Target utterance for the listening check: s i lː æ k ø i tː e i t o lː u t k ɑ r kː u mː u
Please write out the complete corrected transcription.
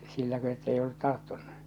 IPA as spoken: s i lː æ k ø e tː e i o lː u t t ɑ r tː u nː u